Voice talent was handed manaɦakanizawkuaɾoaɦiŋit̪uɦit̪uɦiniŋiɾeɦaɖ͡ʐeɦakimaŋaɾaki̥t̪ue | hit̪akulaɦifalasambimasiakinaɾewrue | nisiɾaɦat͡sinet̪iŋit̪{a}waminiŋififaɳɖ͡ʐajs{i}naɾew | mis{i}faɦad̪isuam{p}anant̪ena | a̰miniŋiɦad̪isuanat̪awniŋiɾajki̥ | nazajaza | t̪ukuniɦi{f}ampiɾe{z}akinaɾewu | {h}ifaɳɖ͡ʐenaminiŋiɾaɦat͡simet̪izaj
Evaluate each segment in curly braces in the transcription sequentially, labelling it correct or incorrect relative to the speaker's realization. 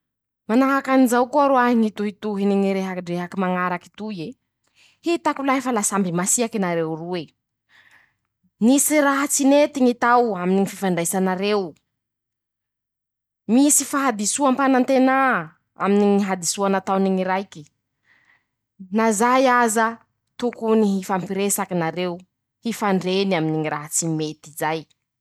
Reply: correct, incorrect, correct, correct, correct, incorrect, correct

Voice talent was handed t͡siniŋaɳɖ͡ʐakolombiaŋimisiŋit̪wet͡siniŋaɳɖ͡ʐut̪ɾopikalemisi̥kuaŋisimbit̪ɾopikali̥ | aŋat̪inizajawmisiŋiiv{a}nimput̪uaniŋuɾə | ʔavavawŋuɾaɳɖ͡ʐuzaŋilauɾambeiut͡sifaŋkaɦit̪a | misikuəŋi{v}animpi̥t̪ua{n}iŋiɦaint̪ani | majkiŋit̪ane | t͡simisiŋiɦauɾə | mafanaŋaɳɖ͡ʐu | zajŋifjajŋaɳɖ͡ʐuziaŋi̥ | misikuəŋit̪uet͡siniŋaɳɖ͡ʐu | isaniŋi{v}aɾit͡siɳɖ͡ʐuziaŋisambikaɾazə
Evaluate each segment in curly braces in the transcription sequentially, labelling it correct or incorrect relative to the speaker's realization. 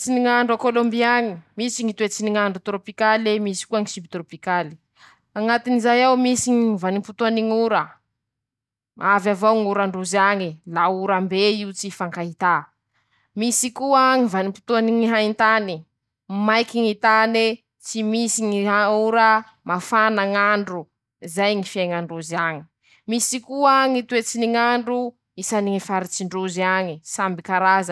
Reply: correct, correct, correct, incorrect

